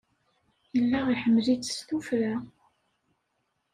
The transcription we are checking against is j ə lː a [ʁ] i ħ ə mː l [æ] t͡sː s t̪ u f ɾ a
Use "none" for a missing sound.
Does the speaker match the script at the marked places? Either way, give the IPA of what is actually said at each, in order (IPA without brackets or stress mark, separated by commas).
ʁ, i